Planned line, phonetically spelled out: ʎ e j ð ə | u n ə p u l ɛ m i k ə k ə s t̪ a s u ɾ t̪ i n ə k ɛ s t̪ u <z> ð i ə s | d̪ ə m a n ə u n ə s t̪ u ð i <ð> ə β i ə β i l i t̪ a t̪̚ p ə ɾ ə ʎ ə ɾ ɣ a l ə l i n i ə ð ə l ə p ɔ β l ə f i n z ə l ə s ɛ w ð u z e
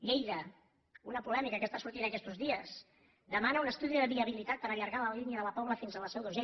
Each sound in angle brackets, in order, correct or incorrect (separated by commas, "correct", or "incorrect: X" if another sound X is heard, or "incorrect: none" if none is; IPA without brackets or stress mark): correct, correct